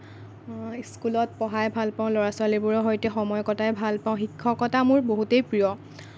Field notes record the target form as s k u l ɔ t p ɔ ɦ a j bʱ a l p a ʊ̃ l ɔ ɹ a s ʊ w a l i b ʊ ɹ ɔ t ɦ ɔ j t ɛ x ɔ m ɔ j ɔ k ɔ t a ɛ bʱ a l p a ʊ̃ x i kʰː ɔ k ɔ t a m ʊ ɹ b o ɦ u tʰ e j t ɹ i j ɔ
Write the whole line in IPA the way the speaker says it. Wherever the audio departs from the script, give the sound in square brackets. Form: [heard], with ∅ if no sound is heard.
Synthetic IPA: s k u l ɔ t p ɔ ɦ a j bʱ a l p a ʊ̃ l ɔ ɹ a s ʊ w a l i b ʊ ɹ ɔ [∅] ɦ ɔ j t ɛ x ɔ m ɔ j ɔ k ɔ t a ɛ bʱ a l p a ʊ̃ x i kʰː ɔ k ɔ t a m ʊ ɹ b o ɦ u [t] e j [p] ɹ i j ɔ